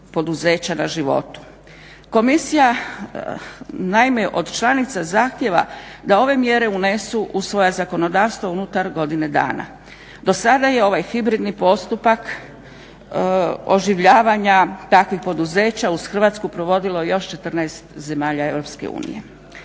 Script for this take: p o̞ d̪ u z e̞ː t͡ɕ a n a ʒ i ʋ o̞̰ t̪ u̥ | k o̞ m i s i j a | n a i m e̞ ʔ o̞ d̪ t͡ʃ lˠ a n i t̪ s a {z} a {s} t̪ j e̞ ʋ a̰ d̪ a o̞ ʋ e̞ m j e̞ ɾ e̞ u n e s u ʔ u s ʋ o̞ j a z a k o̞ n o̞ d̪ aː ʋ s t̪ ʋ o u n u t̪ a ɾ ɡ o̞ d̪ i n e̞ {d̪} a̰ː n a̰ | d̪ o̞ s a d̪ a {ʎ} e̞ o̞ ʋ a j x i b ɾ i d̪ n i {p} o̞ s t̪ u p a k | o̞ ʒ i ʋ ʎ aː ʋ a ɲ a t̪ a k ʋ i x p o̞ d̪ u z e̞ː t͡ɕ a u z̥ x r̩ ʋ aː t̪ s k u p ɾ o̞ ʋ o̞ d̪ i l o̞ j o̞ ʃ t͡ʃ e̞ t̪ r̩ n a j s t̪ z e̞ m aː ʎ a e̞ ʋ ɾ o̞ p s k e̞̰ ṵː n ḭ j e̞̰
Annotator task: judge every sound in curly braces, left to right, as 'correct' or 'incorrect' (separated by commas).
correct, incorrect, correct, incorrect, correct